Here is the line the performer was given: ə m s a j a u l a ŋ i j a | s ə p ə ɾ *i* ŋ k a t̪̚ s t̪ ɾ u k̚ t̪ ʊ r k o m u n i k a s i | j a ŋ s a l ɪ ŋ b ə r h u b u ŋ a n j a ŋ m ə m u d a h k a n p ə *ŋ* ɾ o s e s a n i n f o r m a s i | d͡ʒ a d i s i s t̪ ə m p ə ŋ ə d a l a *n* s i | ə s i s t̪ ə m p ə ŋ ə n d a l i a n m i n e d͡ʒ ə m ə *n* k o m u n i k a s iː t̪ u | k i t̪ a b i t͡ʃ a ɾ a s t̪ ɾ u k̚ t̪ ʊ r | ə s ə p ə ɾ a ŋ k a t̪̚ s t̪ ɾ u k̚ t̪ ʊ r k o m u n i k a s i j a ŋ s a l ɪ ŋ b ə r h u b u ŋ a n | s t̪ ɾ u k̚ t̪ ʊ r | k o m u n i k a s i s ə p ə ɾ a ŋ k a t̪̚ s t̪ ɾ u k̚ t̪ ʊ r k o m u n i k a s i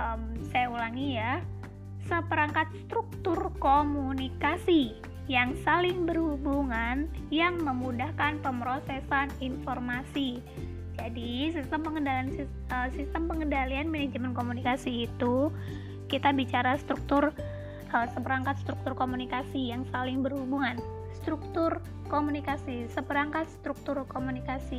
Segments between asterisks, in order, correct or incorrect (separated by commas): incorrect, incorrect, correct, correct